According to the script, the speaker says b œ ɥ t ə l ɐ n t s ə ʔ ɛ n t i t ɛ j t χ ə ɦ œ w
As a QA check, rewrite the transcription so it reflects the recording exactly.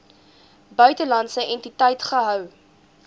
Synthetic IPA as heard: b œ ɥ t ə l ɐ n t s ə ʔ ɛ n t i t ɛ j t χ ə ɦ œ w